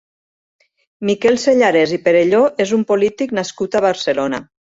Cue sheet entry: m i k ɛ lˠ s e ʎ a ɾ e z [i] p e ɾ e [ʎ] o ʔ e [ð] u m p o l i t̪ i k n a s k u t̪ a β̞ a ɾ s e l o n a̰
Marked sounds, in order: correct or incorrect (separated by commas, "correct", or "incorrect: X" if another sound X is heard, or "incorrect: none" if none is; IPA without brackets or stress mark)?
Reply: correct, correct, incorrect: z